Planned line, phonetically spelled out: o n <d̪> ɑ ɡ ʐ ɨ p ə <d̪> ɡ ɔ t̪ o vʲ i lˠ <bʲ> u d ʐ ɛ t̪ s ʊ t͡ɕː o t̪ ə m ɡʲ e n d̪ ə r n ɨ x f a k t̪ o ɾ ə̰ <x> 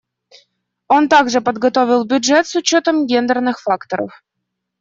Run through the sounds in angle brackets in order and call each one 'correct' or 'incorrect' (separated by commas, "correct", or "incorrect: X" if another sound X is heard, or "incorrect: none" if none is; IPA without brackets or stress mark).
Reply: incorrect: t̪, correct, correct, incorrect: f